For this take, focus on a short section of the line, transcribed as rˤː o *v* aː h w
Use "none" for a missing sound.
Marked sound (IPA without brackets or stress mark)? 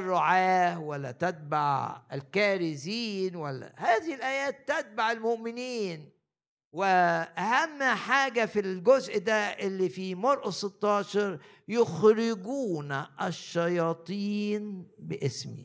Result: ʕ